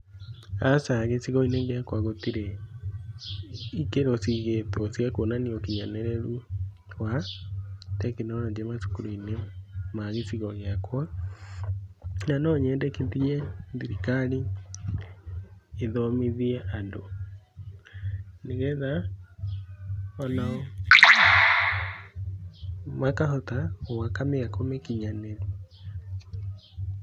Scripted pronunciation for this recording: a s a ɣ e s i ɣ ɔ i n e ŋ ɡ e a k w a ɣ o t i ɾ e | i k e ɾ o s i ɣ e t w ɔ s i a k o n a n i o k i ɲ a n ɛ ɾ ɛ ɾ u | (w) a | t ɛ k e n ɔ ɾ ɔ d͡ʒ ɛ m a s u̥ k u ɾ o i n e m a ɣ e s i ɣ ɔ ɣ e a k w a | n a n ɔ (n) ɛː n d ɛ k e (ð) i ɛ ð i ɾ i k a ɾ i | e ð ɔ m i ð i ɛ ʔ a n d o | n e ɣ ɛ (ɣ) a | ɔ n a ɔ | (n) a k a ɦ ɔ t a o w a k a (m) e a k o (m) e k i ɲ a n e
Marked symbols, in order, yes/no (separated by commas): yes, no, yes, no, no, yes, yes